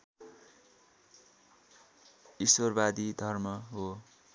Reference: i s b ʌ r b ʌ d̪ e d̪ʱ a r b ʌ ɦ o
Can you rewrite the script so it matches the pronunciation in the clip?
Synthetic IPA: i s w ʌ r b a d̪ i d̪ʱ ʌ r m ʌ ɦ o